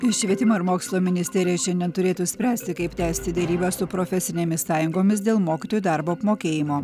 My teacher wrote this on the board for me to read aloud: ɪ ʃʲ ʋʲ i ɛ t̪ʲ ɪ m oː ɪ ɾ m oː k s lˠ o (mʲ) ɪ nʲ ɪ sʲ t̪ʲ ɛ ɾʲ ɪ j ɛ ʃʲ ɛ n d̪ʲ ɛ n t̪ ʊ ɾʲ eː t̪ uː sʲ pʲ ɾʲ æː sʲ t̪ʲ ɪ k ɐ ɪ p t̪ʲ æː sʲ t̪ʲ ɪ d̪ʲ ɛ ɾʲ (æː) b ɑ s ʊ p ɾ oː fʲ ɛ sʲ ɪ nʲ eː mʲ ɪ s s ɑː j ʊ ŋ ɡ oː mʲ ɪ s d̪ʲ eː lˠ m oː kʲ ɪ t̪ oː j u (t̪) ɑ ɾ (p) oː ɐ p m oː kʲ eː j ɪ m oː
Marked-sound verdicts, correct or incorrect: correct, incorrect: iː, incorrect: d̪, incorrect: b

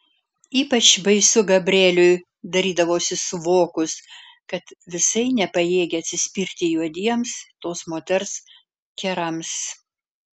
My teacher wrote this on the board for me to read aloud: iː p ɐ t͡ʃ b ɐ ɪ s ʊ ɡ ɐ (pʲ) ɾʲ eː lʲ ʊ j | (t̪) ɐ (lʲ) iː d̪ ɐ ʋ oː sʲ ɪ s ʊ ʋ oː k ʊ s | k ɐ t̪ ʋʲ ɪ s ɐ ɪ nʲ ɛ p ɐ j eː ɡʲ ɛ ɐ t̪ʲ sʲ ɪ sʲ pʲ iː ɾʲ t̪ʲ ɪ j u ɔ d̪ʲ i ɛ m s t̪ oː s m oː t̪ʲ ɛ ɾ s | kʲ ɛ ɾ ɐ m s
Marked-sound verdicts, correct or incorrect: incorrect: bʲ, incorrect: d̪, incorrect: ɾʲ

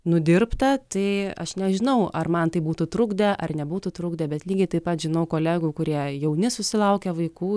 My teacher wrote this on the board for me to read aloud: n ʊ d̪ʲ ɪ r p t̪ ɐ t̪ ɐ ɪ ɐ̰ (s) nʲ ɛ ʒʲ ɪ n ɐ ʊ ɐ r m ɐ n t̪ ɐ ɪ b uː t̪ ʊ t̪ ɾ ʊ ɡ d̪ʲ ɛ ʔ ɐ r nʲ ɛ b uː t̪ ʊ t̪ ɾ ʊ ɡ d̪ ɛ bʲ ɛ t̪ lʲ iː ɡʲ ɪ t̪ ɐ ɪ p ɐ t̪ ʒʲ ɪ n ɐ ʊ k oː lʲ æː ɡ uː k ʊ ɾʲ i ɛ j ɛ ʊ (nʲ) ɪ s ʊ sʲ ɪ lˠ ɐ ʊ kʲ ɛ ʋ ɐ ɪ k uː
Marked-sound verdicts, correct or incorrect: incorrect: ʃ, correct

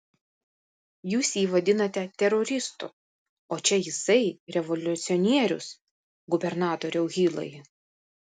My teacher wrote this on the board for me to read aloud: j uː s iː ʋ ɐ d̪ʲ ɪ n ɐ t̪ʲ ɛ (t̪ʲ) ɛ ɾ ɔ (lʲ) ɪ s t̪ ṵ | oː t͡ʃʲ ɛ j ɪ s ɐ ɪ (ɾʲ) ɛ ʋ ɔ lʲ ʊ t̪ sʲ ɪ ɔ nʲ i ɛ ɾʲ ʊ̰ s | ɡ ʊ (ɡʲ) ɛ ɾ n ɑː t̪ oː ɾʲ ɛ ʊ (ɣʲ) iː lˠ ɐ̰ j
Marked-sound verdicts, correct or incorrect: correct, incorrect: ɾʲ, correct, incorrect: bʲ, correct

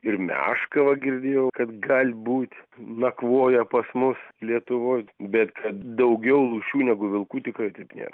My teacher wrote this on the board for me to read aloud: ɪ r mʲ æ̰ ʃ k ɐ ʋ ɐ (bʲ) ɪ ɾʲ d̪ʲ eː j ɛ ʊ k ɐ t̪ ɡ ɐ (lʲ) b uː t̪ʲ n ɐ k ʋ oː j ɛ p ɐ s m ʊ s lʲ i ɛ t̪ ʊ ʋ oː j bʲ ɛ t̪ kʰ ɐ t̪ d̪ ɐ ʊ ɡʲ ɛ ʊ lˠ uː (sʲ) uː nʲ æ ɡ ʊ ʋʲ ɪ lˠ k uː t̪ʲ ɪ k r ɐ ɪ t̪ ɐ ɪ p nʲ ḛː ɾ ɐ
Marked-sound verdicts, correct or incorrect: incorrect: ɡʲ, correct, incorrect: ʃʲ

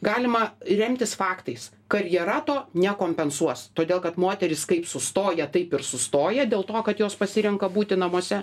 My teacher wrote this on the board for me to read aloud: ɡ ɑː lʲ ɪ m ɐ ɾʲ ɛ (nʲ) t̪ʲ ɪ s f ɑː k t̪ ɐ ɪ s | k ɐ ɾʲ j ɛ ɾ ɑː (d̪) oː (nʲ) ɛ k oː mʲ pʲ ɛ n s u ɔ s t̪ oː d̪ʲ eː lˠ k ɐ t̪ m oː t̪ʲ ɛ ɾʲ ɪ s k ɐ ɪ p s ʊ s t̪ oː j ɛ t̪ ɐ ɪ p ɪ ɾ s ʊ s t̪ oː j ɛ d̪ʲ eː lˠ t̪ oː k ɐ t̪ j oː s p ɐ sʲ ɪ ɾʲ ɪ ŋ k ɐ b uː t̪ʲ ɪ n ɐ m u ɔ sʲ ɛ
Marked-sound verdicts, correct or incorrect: incorrect: mʲ, incorrect: t̪, correct

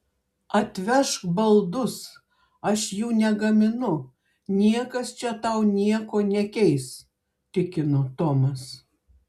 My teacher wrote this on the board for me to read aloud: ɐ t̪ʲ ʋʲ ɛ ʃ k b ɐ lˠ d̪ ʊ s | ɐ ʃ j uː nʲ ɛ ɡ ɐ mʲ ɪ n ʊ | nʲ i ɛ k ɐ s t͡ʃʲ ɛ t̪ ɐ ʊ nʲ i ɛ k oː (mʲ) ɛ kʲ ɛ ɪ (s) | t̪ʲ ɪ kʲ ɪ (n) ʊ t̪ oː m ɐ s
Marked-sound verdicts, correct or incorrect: incorrect: nʲ, correct, correct

